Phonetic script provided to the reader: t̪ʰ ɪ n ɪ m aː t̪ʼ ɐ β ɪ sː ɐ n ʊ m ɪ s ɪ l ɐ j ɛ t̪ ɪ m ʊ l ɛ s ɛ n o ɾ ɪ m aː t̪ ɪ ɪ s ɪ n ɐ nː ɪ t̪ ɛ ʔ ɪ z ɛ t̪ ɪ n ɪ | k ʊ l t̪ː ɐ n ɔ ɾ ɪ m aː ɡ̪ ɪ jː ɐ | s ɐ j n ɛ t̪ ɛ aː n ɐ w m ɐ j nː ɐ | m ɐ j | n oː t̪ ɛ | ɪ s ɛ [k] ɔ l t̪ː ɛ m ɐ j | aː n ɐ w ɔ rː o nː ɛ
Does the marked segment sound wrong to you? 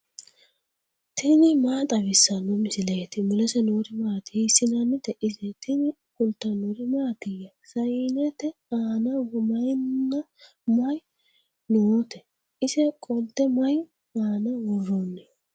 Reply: yes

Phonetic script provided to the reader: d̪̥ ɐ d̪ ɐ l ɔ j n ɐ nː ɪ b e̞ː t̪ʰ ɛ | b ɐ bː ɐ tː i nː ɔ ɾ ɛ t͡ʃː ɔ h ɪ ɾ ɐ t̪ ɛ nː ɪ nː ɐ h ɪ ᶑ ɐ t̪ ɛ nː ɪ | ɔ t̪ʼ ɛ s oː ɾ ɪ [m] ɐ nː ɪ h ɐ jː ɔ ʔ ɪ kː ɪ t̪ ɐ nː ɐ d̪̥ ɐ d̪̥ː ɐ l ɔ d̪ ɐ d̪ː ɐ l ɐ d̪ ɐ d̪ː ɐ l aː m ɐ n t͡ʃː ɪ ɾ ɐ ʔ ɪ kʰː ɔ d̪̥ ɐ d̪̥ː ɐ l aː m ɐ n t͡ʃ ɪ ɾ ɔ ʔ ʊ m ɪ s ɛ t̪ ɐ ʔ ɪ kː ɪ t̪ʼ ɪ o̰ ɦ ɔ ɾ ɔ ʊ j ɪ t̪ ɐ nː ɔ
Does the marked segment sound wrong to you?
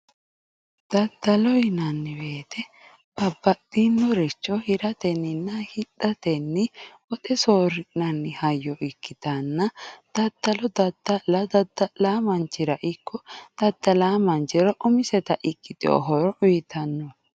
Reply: yes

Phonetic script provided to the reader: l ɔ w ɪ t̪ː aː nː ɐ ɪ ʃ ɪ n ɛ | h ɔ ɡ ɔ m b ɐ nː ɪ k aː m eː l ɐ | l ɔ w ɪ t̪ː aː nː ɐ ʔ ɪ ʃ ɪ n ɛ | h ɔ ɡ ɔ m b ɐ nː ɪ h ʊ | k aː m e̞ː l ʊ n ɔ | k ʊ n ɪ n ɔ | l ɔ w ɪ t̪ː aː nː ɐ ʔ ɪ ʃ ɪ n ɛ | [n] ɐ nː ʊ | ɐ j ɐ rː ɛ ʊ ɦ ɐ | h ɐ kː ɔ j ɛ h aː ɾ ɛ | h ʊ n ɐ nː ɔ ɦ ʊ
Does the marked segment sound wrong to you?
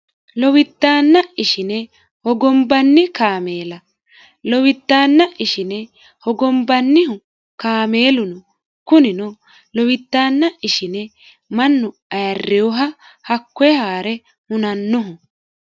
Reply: yes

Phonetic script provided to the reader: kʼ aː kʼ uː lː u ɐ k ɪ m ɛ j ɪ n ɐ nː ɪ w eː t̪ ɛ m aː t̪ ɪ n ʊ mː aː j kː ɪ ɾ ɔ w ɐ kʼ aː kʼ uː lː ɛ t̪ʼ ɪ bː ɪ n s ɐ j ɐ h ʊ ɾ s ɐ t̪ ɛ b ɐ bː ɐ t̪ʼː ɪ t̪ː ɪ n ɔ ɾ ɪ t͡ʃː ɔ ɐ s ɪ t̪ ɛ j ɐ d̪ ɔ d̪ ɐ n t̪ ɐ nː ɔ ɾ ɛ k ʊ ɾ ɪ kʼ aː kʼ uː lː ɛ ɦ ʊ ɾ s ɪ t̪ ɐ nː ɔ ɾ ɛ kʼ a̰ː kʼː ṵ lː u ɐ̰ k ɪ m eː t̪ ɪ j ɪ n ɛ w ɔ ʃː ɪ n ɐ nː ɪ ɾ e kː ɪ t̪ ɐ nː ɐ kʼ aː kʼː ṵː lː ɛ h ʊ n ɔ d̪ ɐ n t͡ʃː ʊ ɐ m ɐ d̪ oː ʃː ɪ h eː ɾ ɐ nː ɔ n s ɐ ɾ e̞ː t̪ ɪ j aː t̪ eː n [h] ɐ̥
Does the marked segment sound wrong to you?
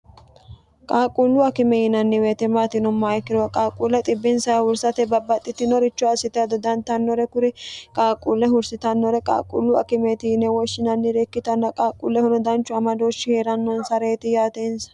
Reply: yes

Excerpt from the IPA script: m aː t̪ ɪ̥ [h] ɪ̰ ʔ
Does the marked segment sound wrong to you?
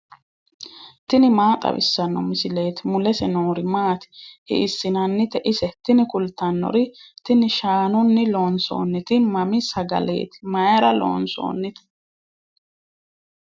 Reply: no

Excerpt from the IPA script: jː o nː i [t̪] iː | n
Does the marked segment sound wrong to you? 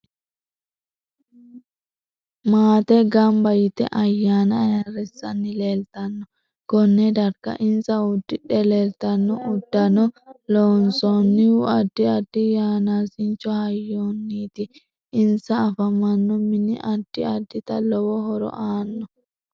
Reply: no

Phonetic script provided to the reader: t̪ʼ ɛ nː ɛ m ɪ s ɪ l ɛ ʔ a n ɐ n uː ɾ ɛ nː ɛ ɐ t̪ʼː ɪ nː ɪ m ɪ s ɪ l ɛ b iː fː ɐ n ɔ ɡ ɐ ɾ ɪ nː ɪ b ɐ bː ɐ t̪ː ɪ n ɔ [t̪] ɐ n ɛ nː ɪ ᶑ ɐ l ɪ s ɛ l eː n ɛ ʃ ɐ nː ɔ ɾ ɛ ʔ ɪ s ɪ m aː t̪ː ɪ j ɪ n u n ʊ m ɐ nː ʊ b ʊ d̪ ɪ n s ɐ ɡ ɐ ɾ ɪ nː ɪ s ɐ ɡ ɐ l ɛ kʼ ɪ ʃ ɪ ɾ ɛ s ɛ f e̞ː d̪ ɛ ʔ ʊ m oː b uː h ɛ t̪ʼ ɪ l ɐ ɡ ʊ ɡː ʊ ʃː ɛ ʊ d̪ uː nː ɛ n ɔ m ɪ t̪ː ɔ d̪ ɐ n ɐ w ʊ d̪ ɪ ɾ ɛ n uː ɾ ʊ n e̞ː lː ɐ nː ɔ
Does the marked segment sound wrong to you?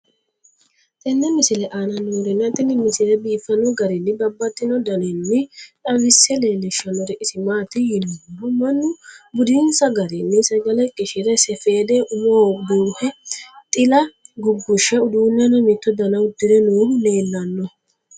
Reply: yes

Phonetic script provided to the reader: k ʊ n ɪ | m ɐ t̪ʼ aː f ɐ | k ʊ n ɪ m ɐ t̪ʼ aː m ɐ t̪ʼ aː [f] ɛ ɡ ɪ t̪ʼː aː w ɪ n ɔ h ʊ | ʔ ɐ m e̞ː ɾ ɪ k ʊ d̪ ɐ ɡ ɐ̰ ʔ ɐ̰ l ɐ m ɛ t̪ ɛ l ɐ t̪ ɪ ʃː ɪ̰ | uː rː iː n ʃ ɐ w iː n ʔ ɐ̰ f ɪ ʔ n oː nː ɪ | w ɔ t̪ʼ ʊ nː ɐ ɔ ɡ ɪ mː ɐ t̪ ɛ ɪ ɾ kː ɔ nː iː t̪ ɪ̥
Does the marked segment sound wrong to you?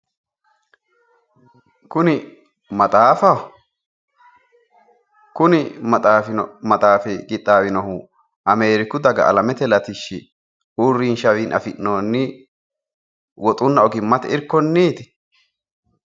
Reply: no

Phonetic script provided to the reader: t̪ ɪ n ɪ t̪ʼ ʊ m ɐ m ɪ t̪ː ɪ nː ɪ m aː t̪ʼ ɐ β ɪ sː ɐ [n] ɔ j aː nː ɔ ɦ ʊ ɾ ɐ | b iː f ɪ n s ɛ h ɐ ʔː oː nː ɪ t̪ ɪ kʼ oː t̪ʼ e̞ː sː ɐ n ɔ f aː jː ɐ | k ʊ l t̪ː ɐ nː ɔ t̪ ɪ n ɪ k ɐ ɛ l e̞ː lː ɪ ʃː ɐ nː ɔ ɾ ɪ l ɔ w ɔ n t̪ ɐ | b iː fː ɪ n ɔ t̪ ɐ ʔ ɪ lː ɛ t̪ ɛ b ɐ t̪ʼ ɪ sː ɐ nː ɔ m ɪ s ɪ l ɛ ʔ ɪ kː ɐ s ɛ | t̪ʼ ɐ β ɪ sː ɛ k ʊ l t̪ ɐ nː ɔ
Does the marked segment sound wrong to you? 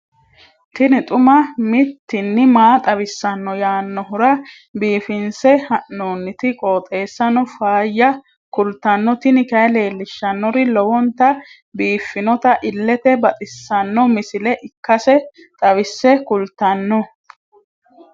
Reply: yes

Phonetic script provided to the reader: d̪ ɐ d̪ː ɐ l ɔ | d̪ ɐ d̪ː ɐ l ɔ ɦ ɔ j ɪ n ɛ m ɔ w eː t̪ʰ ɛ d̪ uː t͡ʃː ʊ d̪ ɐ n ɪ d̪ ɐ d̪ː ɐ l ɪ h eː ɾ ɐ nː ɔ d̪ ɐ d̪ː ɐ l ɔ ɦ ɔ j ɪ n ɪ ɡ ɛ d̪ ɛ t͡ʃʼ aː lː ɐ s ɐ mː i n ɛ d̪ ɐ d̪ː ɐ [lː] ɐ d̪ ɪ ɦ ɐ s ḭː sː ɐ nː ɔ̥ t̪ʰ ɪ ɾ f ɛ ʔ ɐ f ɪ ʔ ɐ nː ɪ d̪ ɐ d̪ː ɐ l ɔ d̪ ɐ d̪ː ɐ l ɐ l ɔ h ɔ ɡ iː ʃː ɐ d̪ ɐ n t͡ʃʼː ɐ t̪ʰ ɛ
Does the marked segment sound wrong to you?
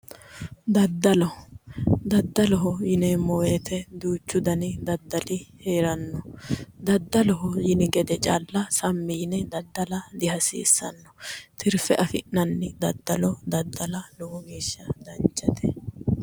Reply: yes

